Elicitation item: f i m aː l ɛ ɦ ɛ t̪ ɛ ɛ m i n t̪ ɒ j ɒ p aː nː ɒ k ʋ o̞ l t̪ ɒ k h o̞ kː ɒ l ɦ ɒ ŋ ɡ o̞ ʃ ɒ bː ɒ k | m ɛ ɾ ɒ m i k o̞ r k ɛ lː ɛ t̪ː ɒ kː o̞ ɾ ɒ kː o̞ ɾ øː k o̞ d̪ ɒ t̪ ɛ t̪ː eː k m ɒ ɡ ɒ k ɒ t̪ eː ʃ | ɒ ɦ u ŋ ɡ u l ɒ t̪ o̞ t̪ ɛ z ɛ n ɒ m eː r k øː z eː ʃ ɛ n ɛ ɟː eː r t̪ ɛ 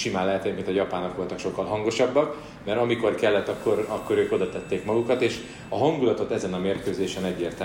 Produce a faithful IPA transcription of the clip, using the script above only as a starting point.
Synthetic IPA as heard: ʃ i m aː l ɛ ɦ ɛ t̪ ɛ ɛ m i n t̪ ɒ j ɒ p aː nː ɒ k ʋ o̞ l t̪ ɒ k ʃ o̞ kː ɒ l ɦ ɒ ŋ ɡ o̞ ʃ ɒ bː ɒ k | m ɛ ɾ ɒ m i k o̞ r k ɛ lː ɛ t̪ː ɒ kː o̞ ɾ ɒ kː o̞ ɾ øː k o̞ d̪ ɒ t̪ ɛ t̪ː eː k m ɒ ɡ u k ɒ t̪ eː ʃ | ɒ ɦ ɒ ŋ ɡ u l ɒ t̪ o̞ t̪ ɛ z ɛ n ɒ m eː r k øː z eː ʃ ɛ n ɛ ɟː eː r t̪ ɛ